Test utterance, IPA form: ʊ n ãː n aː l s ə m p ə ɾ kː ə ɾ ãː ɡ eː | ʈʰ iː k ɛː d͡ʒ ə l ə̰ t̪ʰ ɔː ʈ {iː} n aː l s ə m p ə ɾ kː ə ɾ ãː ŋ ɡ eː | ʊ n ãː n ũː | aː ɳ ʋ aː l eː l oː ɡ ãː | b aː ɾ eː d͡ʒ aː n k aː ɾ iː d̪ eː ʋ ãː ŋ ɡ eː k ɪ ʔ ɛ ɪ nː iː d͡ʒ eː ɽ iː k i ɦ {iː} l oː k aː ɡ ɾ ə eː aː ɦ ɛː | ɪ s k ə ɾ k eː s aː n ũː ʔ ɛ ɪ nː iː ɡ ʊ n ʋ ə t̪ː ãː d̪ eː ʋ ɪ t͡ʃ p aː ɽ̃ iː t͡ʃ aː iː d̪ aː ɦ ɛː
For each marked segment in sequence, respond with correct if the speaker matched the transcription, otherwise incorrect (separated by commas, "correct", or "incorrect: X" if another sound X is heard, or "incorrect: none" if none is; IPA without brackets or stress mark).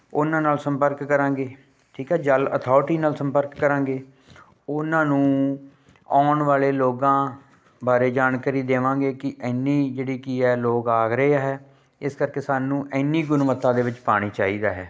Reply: correct, incorrect: ɛː